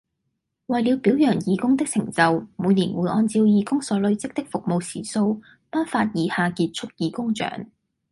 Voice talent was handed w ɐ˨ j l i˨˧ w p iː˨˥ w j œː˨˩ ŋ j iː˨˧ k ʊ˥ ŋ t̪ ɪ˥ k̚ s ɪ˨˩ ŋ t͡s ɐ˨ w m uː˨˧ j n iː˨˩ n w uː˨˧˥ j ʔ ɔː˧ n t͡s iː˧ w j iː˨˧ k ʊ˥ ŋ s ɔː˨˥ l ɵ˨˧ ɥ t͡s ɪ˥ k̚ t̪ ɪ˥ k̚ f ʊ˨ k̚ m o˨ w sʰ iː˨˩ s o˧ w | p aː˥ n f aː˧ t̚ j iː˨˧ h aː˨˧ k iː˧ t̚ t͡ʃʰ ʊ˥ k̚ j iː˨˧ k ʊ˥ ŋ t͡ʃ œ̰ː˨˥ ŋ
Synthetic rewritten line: w ɐ˨ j l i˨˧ w p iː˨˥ w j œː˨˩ ŋ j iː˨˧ k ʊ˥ ŋ t̪ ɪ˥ k̚ s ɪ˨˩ ŋ t͡s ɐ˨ w m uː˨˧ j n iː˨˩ n w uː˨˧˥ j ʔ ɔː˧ n t͡s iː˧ w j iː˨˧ k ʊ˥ ŋ s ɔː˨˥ l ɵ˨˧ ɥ t͡s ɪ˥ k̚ t̪ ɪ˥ k̚ f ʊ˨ k̚ m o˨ w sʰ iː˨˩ s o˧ w | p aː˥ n f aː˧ t̚ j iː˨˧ h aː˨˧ k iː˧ t̚ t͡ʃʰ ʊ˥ k̚ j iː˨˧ k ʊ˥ ŋ t͡ʃ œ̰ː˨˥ ŋ